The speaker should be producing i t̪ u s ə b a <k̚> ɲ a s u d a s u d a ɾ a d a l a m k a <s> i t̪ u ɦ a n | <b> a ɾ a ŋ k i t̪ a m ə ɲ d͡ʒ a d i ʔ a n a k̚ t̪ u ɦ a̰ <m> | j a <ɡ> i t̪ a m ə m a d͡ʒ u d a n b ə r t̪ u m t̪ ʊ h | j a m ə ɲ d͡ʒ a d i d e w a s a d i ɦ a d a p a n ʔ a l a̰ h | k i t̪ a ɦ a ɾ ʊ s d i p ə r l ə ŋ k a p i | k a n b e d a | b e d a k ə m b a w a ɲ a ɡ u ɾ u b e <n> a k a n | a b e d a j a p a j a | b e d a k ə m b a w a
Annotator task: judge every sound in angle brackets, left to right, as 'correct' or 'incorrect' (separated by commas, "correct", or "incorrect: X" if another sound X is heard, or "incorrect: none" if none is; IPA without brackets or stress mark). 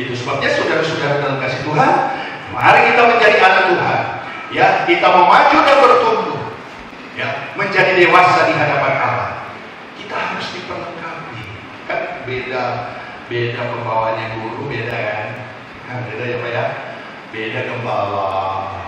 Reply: incorrect: p̚, correct, incorrect: m, incorrect: n, incorrect: k, incorrect: d